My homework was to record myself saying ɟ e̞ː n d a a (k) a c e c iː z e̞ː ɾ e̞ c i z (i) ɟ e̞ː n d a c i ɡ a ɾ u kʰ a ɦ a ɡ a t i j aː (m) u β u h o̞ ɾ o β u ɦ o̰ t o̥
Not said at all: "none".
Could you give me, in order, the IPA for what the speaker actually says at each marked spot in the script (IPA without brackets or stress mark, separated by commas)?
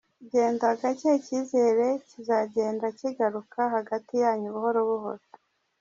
ɡ, a, ɲ